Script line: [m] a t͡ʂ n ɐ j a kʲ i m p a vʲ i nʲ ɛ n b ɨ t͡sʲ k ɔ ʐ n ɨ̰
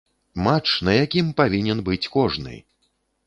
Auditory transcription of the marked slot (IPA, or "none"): m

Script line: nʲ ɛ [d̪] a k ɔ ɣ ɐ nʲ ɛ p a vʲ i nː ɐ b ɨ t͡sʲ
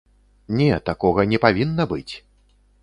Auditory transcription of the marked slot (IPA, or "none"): t̪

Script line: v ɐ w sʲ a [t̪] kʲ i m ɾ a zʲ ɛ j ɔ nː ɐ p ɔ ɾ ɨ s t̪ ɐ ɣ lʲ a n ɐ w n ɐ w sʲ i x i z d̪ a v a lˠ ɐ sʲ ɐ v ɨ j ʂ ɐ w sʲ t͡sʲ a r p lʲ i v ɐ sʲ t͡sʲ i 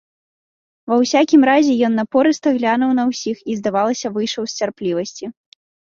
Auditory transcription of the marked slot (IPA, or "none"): none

